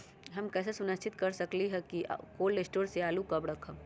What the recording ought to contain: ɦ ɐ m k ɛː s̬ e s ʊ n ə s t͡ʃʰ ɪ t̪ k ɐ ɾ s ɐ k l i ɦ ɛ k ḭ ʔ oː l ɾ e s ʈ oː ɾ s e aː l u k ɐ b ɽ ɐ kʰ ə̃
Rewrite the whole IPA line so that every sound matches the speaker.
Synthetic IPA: ɦ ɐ m k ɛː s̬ e s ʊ n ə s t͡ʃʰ ɪ t̪ k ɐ ɾ s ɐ k l i ɦ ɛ k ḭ k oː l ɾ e s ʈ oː ɾ s e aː l u k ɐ b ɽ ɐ kʰ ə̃